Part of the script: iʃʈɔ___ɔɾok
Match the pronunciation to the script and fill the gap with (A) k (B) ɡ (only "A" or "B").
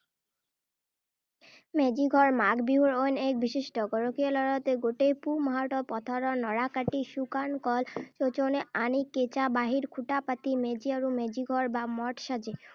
B